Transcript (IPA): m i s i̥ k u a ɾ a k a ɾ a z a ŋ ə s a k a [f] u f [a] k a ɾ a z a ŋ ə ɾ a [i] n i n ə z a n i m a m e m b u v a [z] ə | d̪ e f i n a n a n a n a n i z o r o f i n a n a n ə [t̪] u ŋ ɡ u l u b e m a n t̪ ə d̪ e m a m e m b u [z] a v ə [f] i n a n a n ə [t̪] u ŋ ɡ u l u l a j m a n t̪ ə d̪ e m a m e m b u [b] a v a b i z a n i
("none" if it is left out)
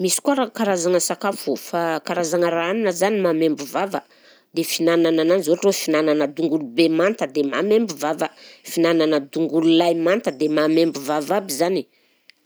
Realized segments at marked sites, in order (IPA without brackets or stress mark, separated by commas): f, a, a, v, d̪, v, f, d̪, v